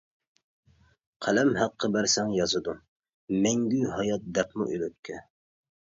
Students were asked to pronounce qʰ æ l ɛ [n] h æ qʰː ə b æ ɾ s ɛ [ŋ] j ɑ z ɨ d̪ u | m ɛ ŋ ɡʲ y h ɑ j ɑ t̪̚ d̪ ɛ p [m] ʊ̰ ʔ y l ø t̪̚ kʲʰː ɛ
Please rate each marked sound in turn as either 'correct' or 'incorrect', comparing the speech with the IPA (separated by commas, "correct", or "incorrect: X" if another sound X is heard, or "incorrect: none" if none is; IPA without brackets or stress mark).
incorrect: m, correct, correct